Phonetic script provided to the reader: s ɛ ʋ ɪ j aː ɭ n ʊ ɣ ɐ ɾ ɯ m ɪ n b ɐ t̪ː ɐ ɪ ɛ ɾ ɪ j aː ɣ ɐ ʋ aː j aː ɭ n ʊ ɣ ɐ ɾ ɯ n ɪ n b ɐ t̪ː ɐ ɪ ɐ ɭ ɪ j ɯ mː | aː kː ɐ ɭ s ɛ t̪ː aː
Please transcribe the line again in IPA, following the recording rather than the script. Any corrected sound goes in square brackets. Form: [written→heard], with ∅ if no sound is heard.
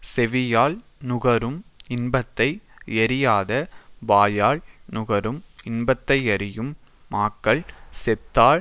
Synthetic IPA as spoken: s ɛ ʋ ɪ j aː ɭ n ʊ ɣ ɐ ɾ ɯ m ɪ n b ɐ t̪ː ɐ ɪ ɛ ɾ ɪ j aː [ɣ→ð] ɐ ʋ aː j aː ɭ n ʊ ɣ ɐ ɾ ɯ [n→m] ɪ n b ɐ t̪ː ɐ ɪ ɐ [ɭ→ɾ] ɪ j ɯ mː | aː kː ɐ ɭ s ɛ t̪ː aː